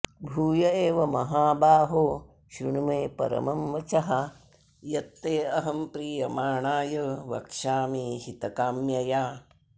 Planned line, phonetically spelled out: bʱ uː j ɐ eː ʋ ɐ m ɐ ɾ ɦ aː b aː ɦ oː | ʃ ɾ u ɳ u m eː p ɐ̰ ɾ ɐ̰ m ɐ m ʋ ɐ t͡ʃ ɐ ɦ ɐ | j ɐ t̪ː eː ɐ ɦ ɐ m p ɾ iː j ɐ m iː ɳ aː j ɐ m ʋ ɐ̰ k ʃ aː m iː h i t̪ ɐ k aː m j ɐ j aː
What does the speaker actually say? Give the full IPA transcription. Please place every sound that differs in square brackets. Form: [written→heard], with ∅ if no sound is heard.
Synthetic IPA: bʱ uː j ɐ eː ʋ ɐ m ɐ [ɾ→∅] ɦ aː b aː ɦ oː | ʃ ɾ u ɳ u m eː p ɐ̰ ɾ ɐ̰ m ɐ m ʋ ɐ t͡ʃ ɐ ɦ ɐ | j ɐ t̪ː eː ɐ ɦ ɐ m p ɾ iː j ɐ m [iː→aː] ɳ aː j ɐ [m→∅] ʋ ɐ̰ k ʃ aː m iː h i t̪ ɐ k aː m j ɐ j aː